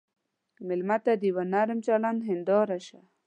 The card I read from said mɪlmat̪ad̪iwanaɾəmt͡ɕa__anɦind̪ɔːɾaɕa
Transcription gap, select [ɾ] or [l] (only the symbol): l